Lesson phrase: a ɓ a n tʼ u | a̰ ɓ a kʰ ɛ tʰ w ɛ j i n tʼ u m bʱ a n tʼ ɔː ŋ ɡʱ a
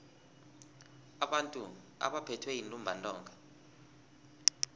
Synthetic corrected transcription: a ɓ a n tʼ u | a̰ ɓ a pʰ ɛ tʰ w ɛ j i n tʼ u m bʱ a n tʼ ɔː ŋ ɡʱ a